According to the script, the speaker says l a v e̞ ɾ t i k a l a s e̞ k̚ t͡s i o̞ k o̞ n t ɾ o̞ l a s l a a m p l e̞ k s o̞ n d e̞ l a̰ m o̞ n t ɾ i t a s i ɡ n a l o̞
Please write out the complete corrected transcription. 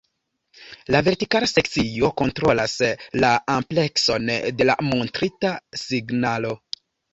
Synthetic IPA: l a v e̞ ɾ t i k a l a s e̞ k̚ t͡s i o̞ k o̞ n t ɾ o̞ l a s l a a m p l e̞ k s o̞ n d e̞ l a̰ m o̞ n t ɾ i t a s i ɡ n a l o̞